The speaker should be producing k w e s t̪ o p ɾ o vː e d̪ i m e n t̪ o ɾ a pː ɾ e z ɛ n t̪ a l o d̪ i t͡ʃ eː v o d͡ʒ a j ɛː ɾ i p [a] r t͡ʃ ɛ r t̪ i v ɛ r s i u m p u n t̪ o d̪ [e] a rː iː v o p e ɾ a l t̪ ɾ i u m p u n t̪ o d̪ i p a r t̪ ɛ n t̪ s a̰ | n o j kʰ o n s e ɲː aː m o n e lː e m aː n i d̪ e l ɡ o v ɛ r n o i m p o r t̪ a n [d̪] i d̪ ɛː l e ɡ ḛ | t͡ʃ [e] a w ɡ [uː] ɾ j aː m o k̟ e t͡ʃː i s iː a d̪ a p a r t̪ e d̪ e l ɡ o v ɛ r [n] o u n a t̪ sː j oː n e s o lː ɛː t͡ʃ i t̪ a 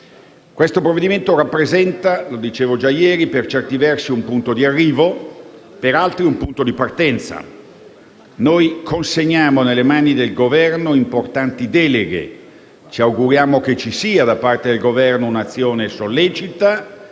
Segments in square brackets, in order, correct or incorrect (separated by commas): incorrect, incorrect, incorrect, incorrect, incorrect, correct